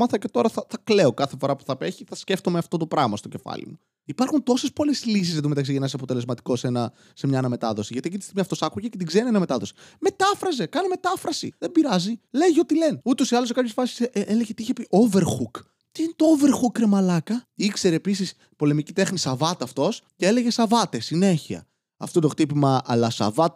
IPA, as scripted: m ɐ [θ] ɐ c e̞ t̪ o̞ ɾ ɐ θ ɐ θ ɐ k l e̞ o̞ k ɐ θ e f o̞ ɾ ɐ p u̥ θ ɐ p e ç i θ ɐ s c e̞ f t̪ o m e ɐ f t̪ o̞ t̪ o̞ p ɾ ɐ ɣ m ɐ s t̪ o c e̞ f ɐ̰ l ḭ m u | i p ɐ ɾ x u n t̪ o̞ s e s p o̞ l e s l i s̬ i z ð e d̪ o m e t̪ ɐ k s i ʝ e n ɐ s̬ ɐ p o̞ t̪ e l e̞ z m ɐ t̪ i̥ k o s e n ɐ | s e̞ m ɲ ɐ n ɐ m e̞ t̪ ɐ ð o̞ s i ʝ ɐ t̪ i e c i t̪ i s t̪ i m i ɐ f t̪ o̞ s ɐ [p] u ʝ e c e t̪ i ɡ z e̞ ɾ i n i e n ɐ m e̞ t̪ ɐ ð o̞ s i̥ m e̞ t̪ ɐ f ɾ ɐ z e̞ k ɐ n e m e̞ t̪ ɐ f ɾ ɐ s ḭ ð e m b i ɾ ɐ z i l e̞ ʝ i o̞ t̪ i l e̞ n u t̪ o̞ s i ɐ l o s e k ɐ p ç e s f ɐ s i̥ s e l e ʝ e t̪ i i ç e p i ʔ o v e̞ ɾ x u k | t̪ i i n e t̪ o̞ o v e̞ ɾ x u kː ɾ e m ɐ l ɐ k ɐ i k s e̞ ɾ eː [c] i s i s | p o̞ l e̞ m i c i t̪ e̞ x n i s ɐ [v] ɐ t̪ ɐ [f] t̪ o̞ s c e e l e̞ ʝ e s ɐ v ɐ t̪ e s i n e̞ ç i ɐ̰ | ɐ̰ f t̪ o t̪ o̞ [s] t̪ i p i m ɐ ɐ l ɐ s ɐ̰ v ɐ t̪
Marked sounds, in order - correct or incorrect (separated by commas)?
correct, incorrect, incorrect, correct, correct, incorrect